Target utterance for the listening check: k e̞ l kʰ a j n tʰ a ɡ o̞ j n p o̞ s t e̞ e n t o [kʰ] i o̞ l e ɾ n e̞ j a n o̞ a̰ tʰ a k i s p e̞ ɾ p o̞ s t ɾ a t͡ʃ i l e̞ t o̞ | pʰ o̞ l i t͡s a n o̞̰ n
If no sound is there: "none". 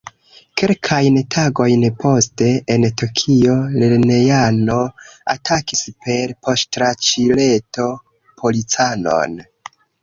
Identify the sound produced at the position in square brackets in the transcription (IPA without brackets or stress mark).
kʰ